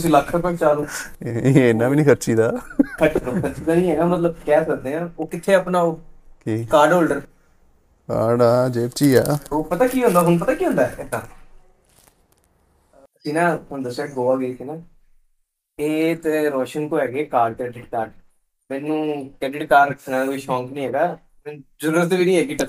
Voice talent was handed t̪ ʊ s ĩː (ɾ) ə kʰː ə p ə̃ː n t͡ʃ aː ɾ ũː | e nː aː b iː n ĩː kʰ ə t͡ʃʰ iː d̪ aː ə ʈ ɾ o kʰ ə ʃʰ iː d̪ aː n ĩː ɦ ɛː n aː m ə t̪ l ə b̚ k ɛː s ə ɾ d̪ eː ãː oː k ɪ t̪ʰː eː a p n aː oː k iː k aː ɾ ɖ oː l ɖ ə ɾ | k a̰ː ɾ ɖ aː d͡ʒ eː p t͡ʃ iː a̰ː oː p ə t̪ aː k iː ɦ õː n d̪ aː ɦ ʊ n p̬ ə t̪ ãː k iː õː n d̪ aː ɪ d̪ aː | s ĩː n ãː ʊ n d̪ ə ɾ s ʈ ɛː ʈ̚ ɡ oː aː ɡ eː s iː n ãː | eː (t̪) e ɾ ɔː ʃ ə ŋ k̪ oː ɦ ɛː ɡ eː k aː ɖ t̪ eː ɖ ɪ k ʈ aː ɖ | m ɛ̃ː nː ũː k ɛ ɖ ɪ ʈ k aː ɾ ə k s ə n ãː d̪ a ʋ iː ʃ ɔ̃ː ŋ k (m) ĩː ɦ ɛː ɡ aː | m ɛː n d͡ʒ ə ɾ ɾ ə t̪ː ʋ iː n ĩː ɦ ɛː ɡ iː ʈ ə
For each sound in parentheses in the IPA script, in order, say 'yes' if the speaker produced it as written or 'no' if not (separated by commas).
no, yes, no